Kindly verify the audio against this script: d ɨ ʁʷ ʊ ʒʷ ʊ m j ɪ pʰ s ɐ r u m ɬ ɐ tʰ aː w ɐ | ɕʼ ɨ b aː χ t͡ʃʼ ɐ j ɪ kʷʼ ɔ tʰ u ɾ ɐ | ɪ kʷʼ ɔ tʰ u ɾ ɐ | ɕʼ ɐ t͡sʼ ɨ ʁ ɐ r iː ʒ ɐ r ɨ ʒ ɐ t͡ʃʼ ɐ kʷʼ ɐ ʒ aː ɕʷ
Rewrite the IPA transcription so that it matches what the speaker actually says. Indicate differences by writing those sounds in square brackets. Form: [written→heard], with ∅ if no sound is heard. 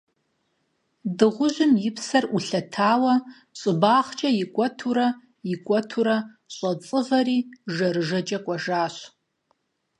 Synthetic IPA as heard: d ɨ ʁʷ ʊ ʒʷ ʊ m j ɪ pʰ s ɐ r u [m→∅] ɬ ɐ tʰ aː w ɐ | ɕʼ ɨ b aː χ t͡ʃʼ ɐ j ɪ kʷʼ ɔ tʰ u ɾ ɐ | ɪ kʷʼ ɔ tʰ u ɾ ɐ | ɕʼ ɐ t͡sʼ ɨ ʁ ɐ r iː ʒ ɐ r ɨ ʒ ɐ t͡ʃʼ ɐ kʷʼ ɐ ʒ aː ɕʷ